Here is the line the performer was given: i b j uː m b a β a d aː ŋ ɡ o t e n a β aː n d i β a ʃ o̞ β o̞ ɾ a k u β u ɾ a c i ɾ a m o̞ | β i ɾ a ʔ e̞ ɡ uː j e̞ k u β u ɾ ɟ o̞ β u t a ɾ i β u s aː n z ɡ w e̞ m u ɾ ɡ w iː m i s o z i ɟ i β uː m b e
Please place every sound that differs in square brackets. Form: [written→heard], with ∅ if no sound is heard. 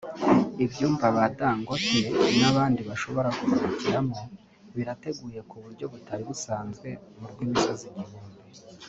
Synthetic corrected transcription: i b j uː m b a β a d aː ŋ ɡ o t e n a β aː n d i β a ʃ o̞ β o̞ ɾ a k u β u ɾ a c i ɾ a m o̞ | β i ɾ a [ʔ→t] e̞ ɡ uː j e̞ k u β u ɾ ɟ o̞ β u t a ɾ i β u s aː n z ɡ w e̞ m u ɾ ɡ w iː m i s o z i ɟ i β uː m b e